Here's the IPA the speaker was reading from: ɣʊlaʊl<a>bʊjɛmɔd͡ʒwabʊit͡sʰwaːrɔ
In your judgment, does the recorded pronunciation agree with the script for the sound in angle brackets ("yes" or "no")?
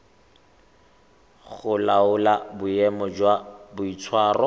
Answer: yes